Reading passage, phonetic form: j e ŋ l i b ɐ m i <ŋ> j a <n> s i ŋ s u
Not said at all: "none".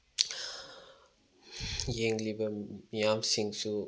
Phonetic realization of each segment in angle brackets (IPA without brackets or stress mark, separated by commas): none, m